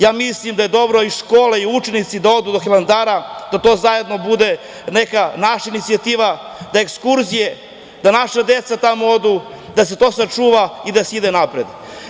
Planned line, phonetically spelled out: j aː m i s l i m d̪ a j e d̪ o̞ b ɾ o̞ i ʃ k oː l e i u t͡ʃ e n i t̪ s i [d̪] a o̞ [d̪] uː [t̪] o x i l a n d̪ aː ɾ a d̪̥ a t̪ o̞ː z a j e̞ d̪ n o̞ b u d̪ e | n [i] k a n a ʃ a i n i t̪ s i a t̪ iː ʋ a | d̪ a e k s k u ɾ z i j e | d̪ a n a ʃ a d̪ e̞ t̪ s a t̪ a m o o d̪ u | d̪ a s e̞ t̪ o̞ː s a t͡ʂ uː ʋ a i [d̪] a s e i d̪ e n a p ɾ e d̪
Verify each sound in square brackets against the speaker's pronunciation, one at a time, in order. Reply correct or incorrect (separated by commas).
correct, correct, incorrect, incorrect, correct